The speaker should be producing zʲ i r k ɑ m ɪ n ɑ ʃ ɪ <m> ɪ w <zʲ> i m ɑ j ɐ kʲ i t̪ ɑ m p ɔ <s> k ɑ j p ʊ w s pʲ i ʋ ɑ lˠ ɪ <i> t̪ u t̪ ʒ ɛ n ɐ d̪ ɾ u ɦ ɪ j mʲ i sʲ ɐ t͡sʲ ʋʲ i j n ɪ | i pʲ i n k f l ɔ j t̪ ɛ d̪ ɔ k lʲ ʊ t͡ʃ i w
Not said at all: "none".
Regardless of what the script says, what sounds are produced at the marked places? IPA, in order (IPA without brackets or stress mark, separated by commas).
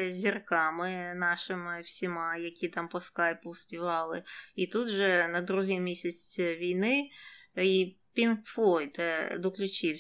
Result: m, sʲ, s, i